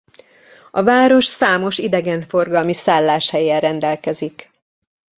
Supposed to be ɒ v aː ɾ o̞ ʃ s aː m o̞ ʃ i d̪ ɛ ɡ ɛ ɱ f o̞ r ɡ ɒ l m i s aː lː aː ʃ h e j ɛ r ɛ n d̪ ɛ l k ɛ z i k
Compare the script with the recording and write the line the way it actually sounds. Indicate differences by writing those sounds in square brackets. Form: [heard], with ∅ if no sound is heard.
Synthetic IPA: ɒ v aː ɾ o̞ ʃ s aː m o̞ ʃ i d̪ ɛ ɡ ɛ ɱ f o̞ r ɡ ɒ l m i s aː lː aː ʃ h [ɛ] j ɛ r ɛ n d̪ ɛ l k ɛ z i k